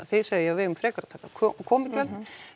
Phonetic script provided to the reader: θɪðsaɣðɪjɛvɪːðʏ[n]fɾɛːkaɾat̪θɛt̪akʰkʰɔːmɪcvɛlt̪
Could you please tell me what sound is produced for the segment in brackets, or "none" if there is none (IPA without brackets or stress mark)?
m